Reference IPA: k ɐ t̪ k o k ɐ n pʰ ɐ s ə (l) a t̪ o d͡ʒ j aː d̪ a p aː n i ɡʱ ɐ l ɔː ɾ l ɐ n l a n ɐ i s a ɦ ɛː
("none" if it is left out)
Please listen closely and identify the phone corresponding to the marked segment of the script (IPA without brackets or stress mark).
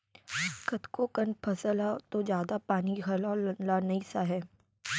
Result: l